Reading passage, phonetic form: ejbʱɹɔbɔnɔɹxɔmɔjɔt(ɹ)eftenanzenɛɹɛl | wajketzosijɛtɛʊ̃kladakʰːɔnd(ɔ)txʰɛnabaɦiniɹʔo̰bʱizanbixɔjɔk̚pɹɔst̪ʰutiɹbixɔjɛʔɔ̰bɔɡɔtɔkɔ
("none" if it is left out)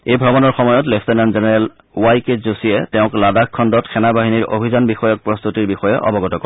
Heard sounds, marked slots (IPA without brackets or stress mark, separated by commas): l, ɔ